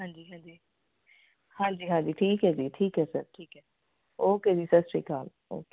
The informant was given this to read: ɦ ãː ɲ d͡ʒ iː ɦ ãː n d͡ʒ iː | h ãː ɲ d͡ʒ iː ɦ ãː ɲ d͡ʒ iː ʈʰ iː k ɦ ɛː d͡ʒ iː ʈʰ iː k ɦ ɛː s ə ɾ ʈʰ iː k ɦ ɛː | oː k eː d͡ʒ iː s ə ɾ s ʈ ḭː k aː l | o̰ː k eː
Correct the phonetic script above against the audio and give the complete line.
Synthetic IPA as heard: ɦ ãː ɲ d͡ʒ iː ɦ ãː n d͡ʒ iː | h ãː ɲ d͡ʒ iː ɦ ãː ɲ d͡ʒ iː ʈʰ iː k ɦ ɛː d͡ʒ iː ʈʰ iː k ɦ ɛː s ə ɾ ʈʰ iː k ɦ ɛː | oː k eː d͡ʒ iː s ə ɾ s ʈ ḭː k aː l | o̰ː k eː